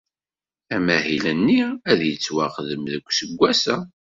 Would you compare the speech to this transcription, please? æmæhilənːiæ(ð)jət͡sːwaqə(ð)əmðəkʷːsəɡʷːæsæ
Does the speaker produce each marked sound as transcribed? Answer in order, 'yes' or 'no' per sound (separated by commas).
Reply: yes, yes